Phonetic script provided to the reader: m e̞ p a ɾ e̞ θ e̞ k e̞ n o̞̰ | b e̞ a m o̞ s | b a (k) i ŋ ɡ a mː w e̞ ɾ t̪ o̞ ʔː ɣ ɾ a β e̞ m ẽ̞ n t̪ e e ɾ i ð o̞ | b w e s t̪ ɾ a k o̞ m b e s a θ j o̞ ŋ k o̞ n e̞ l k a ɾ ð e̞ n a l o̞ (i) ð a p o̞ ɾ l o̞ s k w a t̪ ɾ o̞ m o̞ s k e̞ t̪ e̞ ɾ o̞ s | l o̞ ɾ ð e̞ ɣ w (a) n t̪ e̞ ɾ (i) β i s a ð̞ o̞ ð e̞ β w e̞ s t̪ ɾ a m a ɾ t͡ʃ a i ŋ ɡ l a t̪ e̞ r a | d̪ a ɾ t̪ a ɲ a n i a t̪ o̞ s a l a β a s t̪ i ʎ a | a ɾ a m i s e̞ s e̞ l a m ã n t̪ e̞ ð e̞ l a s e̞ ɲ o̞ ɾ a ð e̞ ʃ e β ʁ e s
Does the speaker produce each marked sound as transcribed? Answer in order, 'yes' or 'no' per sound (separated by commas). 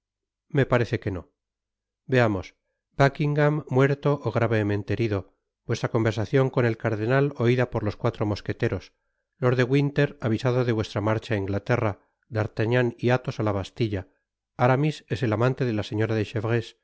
yes, yes, no, no